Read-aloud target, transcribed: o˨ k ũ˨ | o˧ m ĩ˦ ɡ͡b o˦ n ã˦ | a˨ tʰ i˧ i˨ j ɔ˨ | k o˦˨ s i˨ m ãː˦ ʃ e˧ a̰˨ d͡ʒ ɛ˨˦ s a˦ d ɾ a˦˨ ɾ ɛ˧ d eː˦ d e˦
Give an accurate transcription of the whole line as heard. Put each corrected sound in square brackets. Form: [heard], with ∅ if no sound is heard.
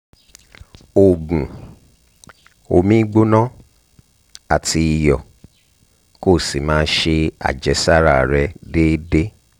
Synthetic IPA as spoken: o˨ [ɡ] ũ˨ | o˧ m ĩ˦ ɡ͡b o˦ n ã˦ | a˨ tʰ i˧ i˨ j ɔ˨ | k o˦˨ s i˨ m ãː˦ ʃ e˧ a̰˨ d͡ʒ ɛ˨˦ s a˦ [∅] ɾ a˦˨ ɾ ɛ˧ d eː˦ d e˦